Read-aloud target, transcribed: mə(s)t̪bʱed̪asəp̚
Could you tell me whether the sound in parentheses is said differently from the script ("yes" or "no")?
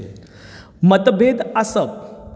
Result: yes